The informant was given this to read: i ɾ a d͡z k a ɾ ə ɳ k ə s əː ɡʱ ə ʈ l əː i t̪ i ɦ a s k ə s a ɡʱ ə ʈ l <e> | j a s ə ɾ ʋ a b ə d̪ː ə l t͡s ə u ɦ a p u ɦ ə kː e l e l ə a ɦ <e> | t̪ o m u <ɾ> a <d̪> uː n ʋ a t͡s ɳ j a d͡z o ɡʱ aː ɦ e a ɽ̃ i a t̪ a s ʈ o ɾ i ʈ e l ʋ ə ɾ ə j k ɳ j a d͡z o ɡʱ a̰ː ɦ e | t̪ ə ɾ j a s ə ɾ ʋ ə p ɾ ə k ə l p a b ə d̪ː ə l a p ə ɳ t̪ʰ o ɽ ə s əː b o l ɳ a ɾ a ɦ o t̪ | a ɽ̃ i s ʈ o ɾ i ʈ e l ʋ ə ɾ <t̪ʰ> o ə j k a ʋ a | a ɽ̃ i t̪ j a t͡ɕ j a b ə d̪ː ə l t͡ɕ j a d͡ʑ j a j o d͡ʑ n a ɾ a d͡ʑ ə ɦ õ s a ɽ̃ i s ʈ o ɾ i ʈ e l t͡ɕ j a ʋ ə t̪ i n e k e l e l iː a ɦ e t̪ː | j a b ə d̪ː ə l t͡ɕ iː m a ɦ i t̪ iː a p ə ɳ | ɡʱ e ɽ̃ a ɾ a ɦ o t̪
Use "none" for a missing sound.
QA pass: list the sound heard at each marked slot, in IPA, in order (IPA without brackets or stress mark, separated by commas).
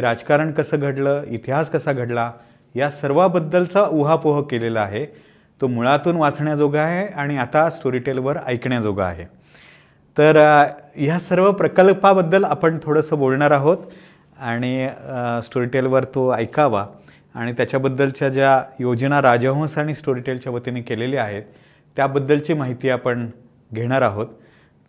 a, e, ɭ, t̪, t̪